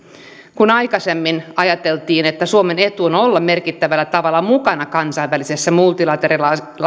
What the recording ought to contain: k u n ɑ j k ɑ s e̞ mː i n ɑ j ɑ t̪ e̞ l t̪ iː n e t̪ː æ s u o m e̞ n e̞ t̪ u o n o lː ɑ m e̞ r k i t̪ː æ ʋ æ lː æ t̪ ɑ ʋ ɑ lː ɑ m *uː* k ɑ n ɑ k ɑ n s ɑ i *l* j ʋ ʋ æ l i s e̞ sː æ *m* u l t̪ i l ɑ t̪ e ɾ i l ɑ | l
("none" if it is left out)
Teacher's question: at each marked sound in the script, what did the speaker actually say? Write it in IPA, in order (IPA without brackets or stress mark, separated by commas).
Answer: u, none, m